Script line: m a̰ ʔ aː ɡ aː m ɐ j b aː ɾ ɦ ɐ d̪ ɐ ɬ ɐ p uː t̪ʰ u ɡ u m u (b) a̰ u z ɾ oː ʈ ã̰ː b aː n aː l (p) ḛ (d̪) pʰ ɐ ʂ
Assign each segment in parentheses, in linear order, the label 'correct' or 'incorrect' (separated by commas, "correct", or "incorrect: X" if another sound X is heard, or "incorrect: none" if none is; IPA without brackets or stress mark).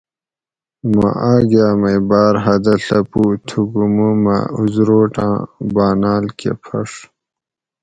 incorrect: m, incorrect: k, incorrect: none